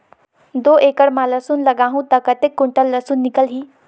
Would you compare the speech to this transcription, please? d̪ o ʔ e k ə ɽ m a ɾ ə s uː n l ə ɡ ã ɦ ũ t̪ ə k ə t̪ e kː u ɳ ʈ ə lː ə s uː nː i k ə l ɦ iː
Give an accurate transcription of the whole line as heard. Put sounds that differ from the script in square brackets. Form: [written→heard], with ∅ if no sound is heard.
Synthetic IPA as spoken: d̪ o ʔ e k ə ɽ m a [ɾ→l] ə s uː n l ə ɡ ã ɦ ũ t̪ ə k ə t̪ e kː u ɳ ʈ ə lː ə s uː nː i k ə l ɦ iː